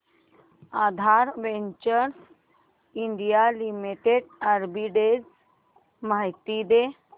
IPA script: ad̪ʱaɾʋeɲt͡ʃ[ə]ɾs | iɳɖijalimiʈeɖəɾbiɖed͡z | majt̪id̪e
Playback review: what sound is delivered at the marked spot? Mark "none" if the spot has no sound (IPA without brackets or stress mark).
ə